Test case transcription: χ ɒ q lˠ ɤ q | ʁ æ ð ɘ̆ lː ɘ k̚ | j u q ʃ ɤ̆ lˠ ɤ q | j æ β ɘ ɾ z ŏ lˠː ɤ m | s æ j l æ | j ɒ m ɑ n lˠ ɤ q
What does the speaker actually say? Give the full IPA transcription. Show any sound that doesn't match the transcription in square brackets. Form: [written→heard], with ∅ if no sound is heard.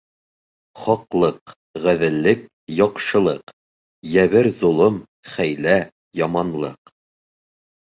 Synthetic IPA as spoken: χ ɒ q lˠ ɤ q | ʁ æ ð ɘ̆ lː ɘ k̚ | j [u→ɒ] q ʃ ɤ̆ lˠ ɤ q | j æ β ɘ ɾ z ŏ [lˠː→lˠ] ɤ m | [s→χ] æ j l æ | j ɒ m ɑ n lˠ ɤ q

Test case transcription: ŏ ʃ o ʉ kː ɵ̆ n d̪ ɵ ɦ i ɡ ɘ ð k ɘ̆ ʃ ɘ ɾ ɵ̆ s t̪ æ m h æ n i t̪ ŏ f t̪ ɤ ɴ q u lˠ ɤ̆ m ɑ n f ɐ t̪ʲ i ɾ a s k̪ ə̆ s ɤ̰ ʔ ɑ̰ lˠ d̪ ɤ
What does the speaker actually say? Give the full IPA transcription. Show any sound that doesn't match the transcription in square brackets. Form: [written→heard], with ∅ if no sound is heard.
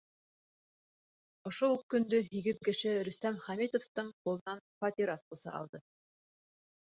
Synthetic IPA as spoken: ŏ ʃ o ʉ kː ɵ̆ n d̪ ɵ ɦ i ɡ ɘ ð k ɘ̆ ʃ ɘ ɾ ɵ̆ s t̪ æ m [h→χ] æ [n→m] i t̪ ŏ f t̪ ɤ ɴ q u lˠ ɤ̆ [m→n] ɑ n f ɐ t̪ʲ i ɾ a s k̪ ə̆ s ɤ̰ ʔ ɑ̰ lˠ d̪ ɤ

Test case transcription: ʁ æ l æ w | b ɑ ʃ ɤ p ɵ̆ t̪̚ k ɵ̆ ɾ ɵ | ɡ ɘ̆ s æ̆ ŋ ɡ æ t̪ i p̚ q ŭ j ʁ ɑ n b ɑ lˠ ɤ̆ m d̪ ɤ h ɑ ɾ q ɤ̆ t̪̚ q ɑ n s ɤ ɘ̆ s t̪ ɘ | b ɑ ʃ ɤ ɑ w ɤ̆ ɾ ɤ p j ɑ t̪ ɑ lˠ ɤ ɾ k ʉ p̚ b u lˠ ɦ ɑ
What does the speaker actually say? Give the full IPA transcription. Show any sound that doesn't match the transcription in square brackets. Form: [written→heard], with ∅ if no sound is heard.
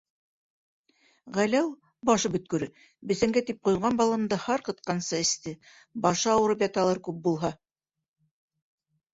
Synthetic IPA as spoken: ʁ æ l æ w | b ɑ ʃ ɤ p ɵ̆ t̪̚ k ɵ̆ ɾ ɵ | [ɡ→b] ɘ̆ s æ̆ ŋ ɡ æ t̪ i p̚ q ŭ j ʁ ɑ n b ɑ lˠ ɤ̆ m d̪ ɤ h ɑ ɾ q ɤ̆ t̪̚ q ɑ n s ɤ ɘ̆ s t̪ ɘ | b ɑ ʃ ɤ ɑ w ɤ̆ ɾ ɤ p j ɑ t̪ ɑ lˠ ɤ ɾ k ʉ p̚ b u lˠ ɦ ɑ

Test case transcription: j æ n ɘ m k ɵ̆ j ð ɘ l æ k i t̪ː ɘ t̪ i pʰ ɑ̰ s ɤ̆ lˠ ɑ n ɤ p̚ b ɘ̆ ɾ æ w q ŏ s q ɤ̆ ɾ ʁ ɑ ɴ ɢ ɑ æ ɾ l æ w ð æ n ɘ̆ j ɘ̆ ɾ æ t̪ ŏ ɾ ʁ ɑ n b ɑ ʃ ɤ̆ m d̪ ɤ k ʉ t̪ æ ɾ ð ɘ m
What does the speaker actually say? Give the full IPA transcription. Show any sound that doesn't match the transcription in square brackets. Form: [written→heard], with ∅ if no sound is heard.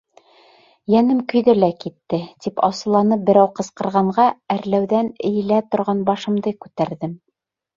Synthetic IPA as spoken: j æ n ɘ m k ɵ̆ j ð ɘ l æ k i t̪ː ɘ t̪ i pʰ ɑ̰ s ɤ̆ lˠ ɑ n ɤ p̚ b ɘ̆ ɾ æ w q [ŏ→ɤ̆] s q ɤ̆ ɾ ʁ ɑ ɴ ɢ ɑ æ ɾ l æ w ð æ n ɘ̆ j ɘ̆ [ɾ→l] æ t̪ ŏ ɾ ʁ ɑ n b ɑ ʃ ɤ̆ m d̪ ɤ k ʉ t̪ æ ɾ ð ɘ m

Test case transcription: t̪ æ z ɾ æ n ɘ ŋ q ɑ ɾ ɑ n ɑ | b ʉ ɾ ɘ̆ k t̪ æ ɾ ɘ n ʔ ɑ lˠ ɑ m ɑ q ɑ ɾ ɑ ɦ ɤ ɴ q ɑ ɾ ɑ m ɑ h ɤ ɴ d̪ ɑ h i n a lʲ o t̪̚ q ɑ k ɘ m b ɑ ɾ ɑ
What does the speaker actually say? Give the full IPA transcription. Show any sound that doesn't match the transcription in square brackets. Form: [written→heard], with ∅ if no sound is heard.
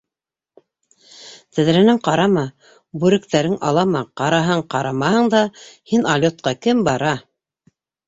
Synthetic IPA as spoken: t̪ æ [z→ð] ɾ æ n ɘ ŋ q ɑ ɾ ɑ [n→m] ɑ | b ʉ ɾ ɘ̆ k t̪ æ ɾ ɘ [n→ŋ] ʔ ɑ lˠ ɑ m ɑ q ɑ ɾ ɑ ɦ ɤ ɴ q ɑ ɾ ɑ m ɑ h ɤ ɴ d̪ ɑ h i n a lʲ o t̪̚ q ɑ k ɘ m b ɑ ɾ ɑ

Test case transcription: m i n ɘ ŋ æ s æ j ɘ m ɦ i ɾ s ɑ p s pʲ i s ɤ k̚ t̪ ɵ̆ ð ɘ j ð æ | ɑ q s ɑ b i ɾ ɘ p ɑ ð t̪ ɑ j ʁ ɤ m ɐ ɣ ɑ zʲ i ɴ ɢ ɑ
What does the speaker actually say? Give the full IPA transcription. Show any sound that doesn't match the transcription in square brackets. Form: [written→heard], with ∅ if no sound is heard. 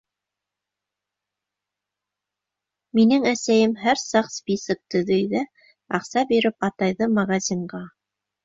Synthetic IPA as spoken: m i n ɘ ŋ æ s æ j ɘ m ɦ [i→æ] ɾ s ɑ [p→q] s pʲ i s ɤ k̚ t̪ ɵ̆ ð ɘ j ð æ | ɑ q s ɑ b i ɾ ɘ p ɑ [ð→∅] t̪ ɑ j [ʁ→ð] ɤ m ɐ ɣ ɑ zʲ i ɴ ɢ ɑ

